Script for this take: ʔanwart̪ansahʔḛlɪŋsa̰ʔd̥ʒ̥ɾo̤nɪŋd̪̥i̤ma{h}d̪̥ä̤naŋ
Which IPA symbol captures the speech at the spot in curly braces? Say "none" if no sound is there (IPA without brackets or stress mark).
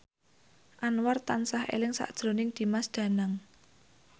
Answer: s